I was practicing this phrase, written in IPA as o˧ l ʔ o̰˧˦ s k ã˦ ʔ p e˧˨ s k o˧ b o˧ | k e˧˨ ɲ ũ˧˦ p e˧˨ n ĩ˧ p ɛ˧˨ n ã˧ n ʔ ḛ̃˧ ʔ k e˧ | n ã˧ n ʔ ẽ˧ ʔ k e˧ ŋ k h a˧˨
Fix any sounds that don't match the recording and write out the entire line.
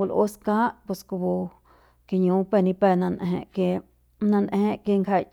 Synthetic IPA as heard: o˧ l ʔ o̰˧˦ s k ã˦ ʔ p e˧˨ s k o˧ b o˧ | k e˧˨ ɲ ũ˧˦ p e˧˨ n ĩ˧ p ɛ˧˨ n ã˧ n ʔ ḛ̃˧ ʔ k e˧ | n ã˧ n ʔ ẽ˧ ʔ k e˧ ŋ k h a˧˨